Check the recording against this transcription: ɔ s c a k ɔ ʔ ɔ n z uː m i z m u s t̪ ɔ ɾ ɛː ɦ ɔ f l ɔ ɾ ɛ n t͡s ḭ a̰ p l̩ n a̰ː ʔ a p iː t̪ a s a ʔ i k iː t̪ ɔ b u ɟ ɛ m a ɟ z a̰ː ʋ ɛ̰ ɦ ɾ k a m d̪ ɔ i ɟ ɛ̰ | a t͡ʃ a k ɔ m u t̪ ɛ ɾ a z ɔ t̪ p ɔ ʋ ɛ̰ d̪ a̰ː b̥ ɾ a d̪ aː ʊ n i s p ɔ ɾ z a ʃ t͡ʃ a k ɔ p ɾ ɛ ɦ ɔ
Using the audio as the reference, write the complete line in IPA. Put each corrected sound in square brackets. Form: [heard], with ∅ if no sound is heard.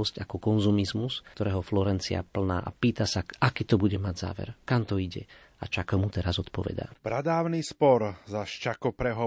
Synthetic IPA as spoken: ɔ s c a k ɔ [k] ɔ n z [u] m i z m u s t̪ ɔ ɾ ɛː ɦ ɔ f l ɔ ɾ ɛ n t͡s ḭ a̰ p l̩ n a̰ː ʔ a p iː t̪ a s a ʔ [a] k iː t̪ ɔ b u ɟ ɛ m a ɟ z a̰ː ʋ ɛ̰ [∅] ɾ k a m [t̪] ɔ i ɟ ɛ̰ | a t͡ʃ a k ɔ m u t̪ ɛ ɾ a z ɔ t̪ p ɔ ʋ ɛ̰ d̪ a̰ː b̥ ɾ a d̪ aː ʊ n i s p ɔ ɾ z a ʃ t͡ʃ a k ɔ p ɾ ɛ ɦ ɔ